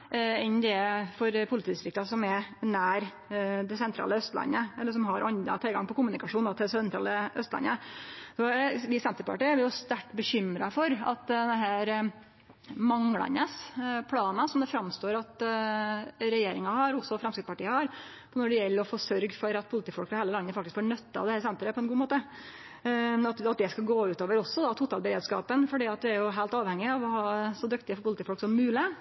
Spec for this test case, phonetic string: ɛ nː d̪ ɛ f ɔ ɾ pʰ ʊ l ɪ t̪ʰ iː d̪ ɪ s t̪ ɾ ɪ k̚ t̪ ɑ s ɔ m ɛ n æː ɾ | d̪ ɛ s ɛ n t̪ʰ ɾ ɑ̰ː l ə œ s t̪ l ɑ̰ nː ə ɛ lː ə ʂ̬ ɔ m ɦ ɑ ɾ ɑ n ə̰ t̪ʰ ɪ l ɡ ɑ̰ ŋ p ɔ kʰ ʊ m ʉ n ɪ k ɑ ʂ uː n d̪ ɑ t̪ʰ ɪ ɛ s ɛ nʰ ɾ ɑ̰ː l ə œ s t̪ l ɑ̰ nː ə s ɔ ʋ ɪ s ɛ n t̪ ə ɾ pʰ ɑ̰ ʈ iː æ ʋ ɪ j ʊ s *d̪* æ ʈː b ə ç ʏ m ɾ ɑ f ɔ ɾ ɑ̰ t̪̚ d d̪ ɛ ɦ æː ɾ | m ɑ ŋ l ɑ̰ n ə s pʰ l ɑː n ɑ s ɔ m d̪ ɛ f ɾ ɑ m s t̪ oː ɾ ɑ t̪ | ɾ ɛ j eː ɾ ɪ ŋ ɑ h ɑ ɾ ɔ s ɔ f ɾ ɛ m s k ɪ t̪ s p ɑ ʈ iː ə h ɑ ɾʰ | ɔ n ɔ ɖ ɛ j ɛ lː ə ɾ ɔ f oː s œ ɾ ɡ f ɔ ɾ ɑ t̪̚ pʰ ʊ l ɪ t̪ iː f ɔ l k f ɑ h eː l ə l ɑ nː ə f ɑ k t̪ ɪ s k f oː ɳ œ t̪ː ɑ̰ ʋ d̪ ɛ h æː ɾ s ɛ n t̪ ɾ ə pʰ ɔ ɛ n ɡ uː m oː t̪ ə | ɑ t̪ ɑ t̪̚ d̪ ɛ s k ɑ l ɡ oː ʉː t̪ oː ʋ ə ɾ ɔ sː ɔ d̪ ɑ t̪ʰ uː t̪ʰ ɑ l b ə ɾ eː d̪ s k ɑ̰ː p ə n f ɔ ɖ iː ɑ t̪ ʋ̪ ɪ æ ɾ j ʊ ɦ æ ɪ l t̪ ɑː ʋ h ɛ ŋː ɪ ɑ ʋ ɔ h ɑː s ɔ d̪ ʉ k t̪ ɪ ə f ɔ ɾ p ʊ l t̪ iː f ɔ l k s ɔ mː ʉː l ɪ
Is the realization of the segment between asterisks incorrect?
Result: yes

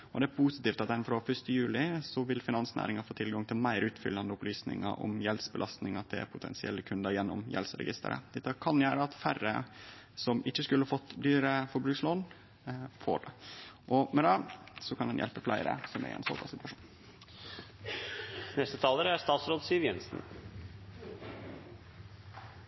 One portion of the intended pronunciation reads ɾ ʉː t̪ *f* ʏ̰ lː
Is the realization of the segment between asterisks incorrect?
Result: no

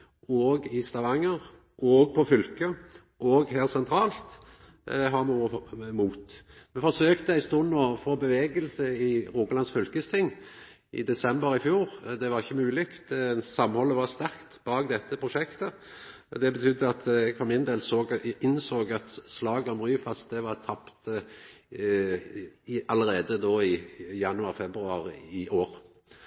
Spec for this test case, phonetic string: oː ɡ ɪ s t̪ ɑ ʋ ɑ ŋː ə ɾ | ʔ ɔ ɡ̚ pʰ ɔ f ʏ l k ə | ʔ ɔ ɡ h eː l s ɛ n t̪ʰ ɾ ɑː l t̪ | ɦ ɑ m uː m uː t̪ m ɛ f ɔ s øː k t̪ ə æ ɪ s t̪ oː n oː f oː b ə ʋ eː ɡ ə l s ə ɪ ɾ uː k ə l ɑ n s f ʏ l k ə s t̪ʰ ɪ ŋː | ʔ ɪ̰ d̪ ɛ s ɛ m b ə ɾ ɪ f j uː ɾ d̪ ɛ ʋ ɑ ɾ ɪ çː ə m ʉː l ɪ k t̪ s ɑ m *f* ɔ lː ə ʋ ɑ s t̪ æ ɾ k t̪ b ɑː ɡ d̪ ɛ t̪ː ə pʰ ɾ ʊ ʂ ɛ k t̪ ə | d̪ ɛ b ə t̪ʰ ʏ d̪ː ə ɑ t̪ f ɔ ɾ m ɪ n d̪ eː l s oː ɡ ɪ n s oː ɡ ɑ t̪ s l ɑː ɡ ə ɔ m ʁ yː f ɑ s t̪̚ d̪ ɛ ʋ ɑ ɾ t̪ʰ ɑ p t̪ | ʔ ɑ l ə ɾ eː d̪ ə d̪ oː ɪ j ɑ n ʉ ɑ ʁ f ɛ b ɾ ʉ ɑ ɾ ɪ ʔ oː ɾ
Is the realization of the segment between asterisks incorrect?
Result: yes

